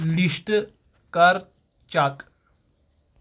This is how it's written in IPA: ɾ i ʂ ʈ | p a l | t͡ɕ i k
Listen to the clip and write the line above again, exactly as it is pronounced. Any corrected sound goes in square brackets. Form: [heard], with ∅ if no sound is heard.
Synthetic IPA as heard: [l] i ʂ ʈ | [k] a [ɾ] | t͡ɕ [a] k